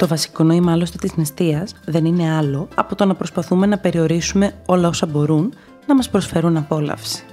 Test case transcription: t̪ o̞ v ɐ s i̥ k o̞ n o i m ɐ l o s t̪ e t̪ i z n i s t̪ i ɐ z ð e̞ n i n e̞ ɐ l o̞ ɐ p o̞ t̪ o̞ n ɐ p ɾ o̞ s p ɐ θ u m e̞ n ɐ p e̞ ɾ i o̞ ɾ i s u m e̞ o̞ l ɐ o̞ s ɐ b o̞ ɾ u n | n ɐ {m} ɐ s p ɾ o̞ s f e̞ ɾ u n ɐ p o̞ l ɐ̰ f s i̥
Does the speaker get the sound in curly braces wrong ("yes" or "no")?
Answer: no